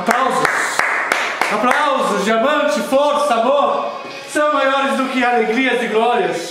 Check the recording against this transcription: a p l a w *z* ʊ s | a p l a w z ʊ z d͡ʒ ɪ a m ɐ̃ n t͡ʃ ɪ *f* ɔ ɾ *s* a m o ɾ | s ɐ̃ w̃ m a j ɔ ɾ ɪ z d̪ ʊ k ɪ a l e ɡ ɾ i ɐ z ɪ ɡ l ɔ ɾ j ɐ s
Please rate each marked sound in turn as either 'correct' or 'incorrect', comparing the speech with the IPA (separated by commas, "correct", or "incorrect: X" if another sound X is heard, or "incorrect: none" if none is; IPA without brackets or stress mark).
correct, correct, correct